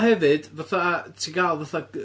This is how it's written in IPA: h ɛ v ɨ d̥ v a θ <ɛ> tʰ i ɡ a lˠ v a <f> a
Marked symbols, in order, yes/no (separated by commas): no, no